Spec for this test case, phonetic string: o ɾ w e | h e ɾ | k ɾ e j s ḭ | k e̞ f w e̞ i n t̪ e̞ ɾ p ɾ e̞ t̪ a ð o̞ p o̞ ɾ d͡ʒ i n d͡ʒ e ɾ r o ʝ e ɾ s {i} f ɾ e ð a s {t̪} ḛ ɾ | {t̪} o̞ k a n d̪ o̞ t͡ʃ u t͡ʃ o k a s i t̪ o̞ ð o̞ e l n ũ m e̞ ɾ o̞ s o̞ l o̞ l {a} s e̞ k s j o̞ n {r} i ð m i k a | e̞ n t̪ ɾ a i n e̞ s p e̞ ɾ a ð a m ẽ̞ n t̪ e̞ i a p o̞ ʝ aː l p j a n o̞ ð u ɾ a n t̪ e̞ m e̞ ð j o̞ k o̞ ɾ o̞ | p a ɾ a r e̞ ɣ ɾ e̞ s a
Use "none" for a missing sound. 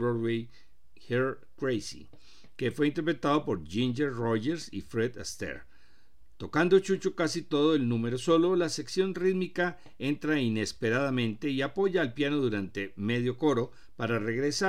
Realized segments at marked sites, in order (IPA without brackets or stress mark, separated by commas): i, t̪, t̪, a, r